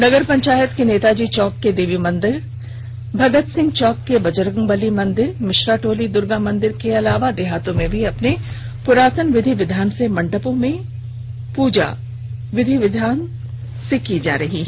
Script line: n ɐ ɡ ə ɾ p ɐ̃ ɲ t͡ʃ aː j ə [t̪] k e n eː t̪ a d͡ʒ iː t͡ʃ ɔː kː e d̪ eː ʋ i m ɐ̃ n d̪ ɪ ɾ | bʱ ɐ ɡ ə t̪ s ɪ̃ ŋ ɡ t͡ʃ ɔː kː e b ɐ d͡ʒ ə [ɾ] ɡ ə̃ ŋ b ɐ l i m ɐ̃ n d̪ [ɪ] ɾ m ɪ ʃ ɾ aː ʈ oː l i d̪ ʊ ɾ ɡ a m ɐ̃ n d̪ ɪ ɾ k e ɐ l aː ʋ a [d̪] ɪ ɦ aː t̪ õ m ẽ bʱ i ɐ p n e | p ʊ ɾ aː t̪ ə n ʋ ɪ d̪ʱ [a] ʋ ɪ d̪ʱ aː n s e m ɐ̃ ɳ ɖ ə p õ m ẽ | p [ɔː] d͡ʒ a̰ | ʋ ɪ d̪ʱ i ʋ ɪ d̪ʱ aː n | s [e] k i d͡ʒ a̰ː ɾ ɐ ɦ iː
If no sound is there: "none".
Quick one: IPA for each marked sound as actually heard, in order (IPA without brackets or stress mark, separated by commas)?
t̪, ɾ, ɪ, d̪, i, uː, e